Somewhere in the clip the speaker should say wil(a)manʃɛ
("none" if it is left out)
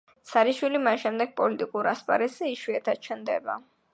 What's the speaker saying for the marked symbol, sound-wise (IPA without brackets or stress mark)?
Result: i